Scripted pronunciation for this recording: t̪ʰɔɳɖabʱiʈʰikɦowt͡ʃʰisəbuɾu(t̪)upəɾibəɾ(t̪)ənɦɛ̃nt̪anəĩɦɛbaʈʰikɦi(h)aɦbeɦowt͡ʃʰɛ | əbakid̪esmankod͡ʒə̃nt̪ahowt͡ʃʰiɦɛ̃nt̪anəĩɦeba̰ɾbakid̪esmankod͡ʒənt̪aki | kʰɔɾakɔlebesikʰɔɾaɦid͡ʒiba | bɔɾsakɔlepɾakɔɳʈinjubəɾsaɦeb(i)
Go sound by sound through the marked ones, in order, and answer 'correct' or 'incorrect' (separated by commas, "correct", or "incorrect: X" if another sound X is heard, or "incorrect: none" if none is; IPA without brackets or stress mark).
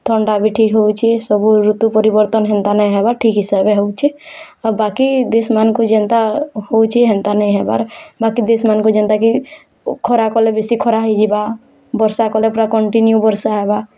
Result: correct, correct, incorrect: s, incorrect: a